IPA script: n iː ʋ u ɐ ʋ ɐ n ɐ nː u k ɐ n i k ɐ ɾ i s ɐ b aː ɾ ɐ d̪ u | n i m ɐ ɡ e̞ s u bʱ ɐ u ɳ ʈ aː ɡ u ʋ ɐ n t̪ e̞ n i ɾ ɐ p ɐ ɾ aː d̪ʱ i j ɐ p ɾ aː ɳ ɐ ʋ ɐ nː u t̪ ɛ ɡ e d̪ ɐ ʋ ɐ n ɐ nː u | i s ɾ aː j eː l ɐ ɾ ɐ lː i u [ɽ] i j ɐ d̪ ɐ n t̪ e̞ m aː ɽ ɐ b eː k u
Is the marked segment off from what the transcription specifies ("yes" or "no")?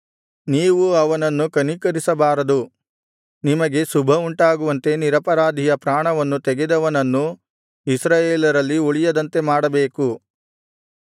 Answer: yes